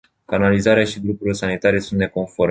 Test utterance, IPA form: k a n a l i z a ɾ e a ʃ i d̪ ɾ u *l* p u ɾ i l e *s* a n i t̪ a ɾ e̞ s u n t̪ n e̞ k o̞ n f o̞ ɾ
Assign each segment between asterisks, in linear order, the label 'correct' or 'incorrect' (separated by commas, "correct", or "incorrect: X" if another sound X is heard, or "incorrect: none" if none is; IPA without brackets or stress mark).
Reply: incorrect: none, correct